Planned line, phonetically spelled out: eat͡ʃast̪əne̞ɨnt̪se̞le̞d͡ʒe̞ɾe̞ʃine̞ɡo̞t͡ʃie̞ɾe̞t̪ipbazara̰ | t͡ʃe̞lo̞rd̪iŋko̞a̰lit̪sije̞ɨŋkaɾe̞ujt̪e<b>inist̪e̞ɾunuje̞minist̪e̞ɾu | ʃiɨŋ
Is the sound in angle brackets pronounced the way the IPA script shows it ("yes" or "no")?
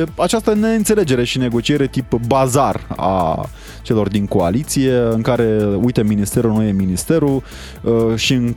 no